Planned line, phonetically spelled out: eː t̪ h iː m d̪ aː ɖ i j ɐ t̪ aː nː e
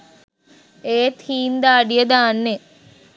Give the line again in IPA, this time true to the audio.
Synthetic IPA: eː t̪ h iː n d̪ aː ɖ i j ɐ d̪ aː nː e

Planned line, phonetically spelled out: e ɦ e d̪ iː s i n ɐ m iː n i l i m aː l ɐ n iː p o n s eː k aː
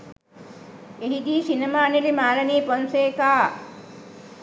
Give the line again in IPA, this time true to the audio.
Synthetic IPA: e ɦ i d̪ iː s i n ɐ m aː n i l i m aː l ɐ n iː p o n s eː k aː

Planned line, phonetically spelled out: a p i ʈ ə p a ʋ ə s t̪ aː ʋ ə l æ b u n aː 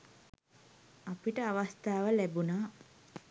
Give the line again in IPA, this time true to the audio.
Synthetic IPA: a p i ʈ ə a ʋ a s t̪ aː ʋ ə l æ b u n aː

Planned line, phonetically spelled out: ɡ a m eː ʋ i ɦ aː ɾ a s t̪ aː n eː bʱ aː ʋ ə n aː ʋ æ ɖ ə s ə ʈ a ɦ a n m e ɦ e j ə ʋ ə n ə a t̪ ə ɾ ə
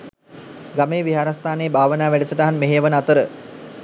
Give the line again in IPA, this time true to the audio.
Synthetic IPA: ɡ a m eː ʋ i ɦ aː ɾ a s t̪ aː n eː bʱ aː ʋ ə n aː ʋ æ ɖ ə s ə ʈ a ɦ a n m e ɦ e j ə ʋ ə n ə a t̪ ə ɾ ə

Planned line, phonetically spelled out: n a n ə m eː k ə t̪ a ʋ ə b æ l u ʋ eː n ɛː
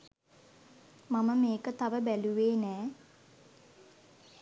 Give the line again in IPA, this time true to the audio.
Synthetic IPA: m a m ə m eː k ə t̪ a ʋ ə b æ l u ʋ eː n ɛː

